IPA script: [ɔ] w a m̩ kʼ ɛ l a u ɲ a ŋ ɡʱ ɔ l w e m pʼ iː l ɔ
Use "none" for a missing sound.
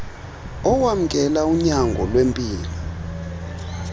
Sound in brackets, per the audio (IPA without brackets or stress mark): ɔ